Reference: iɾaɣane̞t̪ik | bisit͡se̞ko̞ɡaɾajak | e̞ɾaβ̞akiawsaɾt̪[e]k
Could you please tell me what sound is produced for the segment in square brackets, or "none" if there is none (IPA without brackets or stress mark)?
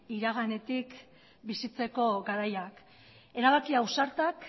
a